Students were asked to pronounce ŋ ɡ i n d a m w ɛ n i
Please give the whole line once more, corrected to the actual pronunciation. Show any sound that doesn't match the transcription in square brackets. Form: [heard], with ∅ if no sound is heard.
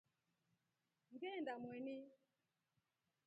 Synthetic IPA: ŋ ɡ [ɛ] n d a m w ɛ n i